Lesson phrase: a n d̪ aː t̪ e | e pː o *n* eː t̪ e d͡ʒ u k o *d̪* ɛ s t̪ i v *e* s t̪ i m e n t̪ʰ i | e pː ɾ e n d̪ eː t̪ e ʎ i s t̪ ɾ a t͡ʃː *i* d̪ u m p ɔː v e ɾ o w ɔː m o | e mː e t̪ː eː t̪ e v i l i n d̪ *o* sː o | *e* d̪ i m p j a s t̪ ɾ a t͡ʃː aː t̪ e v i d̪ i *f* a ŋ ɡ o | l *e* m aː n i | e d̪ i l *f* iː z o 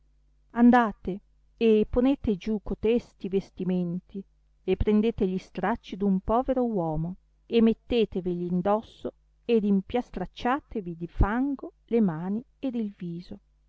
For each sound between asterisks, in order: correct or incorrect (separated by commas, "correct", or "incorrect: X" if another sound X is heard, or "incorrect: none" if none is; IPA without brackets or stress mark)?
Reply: correct, incorrect: t̪, correct, correct, incorrect: ɔ, correct, correct, correct, incorrect: v